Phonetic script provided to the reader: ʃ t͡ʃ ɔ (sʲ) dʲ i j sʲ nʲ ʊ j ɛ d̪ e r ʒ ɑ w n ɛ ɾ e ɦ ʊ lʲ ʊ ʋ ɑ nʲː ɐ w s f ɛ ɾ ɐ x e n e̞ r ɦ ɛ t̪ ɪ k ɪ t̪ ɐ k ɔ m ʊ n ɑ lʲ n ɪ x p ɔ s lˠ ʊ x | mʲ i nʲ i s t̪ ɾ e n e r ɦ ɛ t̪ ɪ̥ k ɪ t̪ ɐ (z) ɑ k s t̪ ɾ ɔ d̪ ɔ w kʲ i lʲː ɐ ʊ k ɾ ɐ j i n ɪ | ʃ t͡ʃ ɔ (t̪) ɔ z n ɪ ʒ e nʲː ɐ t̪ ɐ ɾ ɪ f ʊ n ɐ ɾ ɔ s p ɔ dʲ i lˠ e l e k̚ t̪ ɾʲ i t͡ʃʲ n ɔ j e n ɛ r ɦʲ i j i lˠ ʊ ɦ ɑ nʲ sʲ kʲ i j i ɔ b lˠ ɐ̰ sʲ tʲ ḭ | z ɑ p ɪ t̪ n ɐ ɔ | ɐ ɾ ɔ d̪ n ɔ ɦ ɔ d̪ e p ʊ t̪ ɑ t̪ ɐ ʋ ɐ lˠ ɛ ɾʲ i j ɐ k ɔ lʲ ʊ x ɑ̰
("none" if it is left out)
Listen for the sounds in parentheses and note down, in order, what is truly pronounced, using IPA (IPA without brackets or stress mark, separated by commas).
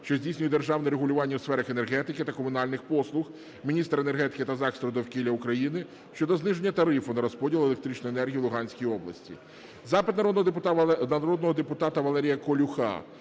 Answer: zʲ, z, d̪